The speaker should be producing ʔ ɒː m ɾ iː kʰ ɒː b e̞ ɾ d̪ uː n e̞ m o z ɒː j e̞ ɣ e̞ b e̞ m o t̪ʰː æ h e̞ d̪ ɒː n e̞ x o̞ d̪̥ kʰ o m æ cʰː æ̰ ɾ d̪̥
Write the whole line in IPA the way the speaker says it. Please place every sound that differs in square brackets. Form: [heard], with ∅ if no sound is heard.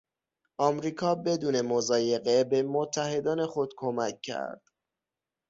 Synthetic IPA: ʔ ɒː m ɾ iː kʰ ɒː b e̞ [∅] d̪ uː n e̞ m o z ɒː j e̞ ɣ e̞ b e̞ m o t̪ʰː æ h e̞ d̪ ɒː n e̞ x o̞ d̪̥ kʰ o m æ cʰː æ̰ ɾ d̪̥

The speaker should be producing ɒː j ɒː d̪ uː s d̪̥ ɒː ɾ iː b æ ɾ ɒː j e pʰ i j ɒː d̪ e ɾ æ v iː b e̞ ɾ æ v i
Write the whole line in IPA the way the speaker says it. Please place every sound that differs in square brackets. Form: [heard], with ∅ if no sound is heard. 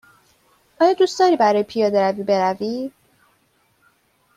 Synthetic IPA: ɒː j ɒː d̪ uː s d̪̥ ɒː ɾ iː b æ ɾ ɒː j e pʰ i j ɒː d̪ e ɾ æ v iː b e̞ ɾ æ v i

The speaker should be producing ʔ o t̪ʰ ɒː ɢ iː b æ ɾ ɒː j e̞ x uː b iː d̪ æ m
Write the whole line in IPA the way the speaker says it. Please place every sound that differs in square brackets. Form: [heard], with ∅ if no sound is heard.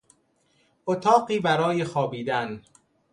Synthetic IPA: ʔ o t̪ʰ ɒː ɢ iː b æ ɾ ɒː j e̞ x [ɒː] b iː d̪ æ [n]

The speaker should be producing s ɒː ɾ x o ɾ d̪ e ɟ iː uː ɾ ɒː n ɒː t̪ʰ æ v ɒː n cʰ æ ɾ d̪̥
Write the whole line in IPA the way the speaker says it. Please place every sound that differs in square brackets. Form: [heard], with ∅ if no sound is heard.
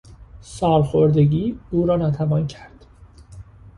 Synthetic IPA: s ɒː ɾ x o ɾ d̪ e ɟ iː uː ɾ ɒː n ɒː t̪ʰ æ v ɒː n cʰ æ ɾ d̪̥

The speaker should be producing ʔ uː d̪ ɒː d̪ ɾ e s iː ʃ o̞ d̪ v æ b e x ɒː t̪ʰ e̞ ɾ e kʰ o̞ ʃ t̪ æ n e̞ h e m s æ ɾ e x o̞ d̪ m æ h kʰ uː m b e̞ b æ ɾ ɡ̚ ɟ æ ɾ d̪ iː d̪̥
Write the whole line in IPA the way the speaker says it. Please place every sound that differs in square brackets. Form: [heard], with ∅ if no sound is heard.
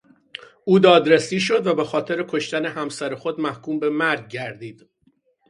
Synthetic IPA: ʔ uː d̪ ɒː d̪ ɾ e s iː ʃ o̞ d̪ v æ b e x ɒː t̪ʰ e̞ ɾ e kʰ o̞ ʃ t̪ æ n e̞ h [æ] m s æ ɾ e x o̞ d̪ m æ h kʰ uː m b e̞ [m] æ ɾ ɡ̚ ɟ æ ɾ d̪ iː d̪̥

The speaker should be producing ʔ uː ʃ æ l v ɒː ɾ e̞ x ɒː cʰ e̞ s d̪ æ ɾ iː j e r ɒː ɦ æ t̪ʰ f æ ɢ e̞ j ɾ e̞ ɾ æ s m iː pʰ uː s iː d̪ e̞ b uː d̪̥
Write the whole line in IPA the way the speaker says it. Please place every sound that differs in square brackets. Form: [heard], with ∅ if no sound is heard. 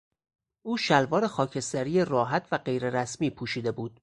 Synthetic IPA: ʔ uː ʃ æ l v ɒː ɾ e̞ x ɒː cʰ e̞ s [t̪] æ ɾ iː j e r ɒː ɦ æ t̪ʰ [v] æ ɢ e̞ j ɾ e̞ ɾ æ s m iː pʰ uː [ʃ] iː d̪ e̞ b uː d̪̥

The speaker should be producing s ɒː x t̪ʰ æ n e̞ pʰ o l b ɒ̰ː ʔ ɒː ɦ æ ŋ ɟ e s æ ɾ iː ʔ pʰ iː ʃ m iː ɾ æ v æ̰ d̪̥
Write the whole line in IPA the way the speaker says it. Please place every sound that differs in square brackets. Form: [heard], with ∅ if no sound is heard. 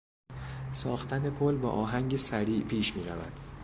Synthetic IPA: s ɒː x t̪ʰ æ n e̞ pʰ o l b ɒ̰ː ʔ ɒː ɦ æ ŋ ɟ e s æ ɾ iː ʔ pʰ iː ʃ m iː ɾ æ v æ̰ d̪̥

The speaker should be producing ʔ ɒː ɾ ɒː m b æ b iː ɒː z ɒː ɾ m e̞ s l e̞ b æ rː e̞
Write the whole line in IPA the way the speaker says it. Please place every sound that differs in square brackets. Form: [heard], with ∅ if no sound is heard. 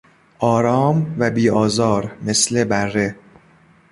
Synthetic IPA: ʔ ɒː ɾ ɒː m [v] æ b iː ɒː z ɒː ɾ m e̞ s l e̞ b æ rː e̞

